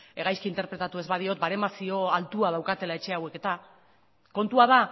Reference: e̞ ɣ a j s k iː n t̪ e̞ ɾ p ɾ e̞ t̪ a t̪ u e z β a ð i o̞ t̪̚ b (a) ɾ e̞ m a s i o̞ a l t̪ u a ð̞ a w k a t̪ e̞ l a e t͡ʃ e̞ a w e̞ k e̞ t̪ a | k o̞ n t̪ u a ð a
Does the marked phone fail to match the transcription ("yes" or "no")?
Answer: no